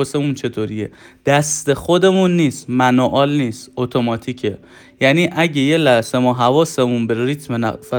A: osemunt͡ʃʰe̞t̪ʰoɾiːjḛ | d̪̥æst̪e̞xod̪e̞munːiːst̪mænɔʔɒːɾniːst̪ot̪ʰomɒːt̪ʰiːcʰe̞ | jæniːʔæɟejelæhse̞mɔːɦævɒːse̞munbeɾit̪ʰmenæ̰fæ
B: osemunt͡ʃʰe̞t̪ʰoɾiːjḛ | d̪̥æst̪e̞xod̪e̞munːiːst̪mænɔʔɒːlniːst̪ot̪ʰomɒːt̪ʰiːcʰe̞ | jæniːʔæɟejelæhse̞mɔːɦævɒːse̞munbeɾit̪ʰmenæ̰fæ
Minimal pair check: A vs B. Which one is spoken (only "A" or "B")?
B